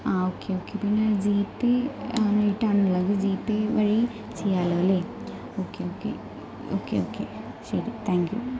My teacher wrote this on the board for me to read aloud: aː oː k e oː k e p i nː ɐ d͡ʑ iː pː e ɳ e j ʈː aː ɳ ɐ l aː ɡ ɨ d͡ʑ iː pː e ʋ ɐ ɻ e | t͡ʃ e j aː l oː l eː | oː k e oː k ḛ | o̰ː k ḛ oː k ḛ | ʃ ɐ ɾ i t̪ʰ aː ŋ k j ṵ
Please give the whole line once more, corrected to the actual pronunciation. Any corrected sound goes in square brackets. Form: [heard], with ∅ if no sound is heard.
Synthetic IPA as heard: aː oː k e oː k e p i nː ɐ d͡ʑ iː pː e [n] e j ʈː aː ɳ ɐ l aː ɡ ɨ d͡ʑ iː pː e ʋ ɐ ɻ [i] | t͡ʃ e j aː l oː l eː | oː k e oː k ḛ | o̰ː k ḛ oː k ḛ | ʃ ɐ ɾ i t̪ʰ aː ŋ k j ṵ

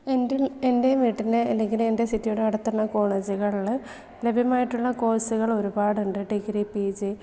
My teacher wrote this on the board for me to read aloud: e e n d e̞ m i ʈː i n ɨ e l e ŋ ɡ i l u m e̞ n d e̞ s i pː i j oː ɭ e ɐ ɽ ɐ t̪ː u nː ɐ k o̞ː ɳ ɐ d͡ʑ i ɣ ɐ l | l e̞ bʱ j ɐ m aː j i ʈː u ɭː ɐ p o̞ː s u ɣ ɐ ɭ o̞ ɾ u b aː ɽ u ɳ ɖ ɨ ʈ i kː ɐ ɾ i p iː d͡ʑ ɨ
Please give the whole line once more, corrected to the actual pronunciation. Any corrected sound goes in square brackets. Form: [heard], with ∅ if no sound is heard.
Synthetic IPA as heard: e e n d e̞ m i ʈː i n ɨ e [lː] e ŋ ɡ i l u m e̞ n d e̞ s i [tː] i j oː [ɽ] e ɐ ɽ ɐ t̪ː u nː ɐ k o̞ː ɳ ɐ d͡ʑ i ɣ ɐ [ɭ] | l e̞ bʱ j ɐ m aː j i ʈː u ɭː ɐ [k] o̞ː s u ɣ ɐ ɭ o̞ ɾ u b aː ɽ u ɳ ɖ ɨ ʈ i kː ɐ ɾ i p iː d͡ʑ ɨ

